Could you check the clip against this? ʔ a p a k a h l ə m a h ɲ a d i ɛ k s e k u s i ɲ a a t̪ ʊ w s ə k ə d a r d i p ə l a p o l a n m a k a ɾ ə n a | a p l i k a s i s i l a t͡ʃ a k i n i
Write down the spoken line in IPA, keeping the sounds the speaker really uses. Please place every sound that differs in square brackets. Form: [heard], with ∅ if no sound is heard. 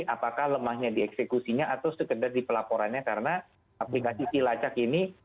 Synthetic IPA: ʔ a p a k a h l ə m a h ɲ a d i ɛ k s e k u s i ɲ a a t̪ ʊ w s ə k ə d a r d i p ə l a p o [ɾ] a n [ɲ] a k a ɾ ə n a | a p l i k a s i s i l a t͡ʃ a k i n i